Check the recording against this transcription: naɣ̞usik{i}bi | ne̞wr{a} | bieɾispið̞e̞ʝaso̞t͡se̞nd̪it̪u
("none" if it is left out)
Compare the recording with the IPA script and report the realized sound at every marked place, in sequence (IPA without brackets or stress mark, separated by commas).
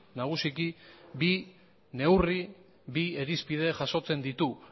i, i